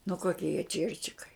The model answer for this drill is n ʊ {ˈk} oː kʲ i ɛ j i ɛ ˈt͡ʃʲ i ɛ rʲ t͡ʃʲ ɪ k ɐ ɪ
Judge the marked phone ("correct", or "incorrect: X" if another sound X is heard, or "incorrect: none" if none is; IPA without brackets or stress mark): correct